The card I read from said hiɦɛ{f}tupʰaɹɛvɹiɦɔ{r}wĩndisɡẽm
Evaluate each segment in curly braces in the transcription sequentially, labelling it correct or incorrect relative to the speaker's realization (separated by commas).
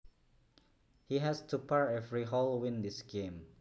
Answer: incorrect, incorrect